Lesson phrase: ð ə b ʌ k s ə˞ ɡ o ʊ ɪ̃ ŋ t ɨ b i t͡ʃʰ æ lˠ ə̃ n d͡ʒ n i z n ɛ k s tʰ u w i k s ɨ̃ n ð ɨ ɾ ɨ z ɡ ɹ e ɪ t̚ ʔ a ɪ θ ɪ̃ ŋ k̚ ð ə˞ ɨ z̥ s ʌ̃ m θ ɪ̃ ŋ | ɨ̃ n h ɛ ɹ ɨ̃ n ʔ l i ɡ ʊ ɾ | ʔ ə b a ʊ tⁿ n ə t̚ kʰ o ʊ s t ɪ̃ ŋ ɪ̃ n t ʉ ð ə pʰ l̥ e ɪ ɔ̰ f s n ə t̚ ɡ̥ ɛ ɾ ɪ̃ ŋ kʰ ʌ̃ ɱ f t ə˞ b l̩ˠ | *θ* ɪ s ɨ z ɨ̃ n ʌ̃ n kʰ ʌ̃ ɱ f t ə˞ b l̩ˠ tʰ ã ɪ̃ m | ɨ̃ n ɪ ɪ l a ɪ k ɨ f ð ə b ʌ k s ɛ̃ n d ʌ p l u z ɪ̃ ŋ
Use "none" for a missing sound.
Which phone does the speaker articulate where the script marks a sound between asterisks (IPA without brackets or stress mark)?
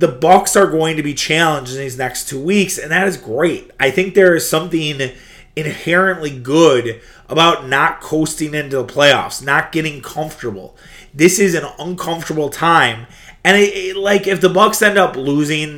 ð